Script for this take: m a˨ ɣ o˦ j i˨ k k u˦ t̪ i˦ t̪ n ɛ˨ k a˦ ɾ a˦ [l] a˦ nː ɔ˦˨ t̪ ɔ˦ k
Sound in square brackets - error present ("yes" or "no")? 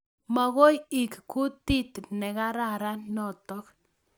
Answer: yes